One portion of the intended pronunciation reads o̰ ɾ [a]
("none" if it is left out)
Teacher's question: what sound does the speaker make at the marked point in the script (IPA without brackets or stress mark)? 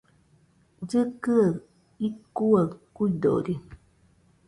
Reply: i